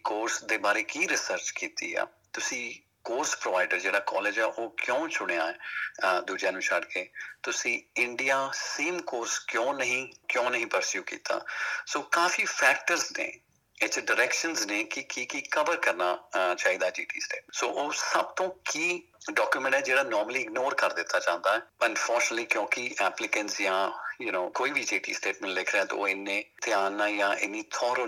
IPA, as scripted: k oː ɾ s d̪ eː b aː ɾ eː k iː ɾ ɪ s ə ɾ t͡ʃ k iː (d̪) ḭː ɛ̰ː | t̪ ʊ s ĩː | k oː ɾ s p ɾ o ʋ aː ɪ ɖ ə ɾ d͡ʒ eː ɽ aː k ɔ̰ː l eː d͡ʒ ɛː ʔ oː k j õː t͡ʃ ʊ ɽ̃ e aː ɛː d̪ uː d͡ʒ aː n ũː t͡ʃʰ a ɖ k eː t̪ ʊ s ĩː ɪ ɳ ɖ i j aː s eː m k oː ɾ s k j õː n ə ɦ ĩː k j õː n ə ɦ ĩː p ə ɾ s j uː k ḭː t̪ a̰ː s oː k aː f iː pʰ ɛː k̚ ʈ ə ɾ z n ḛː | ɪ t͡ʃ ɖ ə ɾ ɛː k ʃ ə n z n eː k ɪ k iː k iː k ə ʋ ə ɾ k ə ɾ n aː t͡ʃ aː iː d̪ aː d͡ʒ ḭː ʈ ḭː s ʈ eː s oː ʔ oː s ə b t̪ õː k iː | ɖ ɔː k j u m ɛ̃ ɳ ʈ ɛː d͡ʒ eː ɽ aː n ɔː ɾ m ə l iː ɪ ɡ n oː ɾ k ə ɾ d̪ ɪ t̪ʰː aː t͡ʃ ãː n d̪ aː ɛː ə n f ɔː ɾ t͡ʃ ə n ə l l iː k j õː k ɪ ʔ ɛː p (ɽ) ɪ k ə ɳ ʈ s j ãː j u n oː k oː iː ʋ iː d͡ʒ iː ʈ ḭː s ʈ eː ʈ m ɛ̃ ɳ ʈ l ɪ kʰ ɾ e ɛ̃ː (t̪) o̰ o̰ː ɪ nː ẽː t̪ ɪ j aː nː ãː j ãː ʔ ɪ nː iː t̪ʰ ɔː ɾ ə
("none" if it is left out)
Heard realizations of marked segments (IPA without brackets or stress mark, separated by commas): t̪, l, t̪